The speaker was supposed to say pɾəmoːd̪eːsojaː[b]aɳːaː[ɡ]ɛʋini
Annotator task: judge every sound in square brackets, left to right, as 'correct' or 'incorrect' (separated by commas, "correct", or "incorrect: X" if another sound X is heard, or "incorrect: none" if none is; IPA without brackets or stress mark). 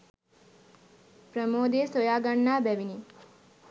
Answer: incorrect: ɡ, incorrect: b